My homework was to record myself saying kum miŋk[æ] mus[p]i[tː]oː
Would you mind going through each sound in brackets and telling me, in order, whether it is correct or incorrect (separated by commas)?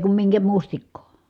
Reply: correct, incorrect, incorrect